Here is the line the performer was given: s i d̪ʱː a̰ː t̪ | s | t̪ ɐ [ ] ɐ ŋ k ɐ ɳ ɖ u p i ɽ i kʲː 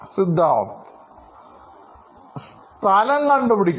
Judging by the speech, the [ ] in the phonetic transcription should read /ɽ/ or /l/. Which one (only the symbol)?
l